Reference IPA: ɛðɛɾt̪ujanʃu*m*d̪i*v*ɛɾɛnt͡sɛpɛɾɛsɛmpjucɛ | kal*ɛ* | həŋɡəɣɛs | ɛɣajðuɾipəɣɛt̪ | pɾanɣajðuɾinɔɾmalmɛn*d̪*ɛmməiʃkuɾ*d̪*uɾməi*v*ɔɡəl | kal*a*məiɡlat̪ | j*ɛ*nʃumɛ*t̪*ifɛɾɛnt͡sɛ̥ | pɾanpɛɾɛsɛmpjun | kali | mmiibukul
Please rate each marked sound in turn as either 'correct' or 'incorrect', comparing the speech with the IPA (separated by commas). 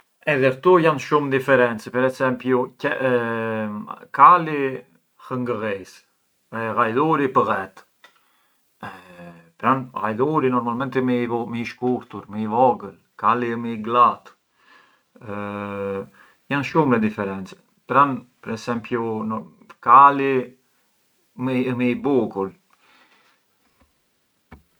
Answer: correct, incorrect, incorrect, incorrect, incorrect, correct, incorrect, incorrect, incorrect